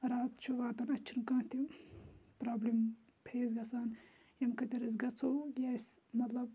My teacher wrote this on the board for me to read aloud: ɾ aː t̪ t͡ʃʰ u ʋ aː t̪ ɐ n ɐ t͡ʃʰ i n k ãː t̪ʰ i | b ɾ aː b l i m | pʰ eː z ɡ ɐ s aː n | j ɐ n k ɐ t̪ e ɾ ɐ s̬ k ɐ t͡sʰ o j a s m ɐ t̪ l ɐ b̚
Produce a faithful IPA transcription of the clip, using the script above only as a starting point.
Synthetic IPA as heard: ɾ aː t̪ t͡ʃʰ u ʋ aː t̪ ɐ n ɐ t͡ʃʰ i n k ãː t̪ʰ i | p ɾ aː b l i m | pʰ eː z ɡ ɐ s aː n | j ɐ m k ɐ t̪ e ɾ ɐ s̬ ɡ ɐ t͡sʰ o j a s m ɐ t̪ l ɐ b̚